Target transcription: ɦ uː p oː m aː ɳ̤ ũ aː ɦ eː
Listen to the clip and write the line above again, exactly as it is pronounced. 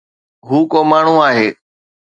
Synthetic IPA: ɦ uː k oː m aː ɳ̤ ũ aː ɦ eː